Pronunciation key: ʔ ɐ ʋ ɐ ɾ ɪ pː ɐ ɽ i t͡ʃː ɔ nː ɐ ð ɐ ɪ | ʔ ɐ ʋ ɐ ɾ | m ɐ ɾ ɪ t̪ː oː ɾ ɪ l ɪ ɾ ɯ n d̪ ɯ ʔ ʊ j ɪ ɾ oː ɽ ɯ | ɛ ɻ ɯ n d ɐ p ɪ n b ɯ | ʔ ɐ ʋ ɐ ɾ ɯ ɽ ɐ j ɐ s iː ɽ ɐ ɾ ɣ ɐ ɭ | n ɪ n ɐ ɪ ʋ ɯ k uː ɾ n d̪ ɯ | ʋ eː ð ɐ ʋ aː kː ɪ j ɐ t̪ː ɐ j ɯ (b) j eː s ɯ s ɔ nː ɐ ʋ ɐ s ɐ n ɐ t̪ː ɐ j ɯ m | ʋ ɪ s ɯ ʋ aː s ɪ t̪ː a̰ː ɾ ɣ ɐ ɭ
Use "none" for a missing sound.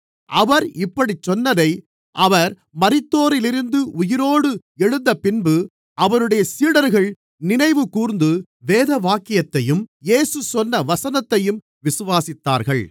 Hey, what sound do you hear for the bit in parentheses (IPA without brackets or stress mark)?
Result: m